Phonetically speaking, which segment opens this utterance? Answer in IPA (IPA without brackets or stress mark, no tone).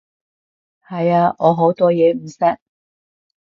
h